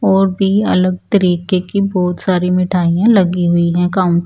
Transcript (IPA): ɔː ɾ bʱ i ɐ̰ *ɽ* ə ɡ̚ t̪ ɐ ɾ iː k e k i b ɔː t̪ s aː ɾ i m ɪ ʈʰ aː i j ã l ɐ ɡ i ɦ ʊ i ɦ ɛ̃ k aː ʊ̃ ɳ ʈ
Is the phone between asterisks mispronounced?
yes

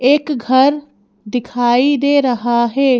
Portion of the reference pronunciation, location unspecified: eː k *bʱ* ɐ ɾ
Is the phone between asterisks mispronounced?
yes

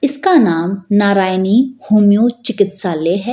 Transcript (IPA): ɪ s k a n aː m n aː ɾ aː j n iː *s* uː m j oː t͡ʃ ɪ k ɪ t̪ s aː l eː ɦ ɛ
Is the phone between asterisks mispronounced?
yes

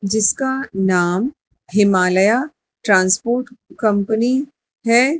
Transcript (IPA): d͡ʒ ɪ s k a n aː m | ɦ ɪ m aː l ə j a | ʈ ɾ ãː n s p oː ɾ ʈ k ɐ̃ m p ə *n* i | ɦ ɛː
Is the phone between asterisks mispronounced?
no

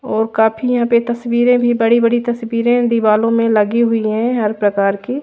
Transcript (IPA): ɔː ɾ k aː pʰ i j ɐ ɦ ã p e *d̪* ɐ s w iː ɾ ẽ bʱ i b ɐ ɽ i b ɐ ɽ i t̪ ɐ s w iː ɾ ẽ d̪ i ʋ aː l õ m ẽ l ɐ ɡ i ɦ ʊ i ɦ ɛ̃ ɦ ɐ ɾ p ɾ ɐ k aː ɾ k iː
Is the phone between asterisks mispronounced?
yes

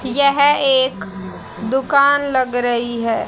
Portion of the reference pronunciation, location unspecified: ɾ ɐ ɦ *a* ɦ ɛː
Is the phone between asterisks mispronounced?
yes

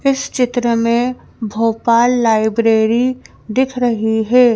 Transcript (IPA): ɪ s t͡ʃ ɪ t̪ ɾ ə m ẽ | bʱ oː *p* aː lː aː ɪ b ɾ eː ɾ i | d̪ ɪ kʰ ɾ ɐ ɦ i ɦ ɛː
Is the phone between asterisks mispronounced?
no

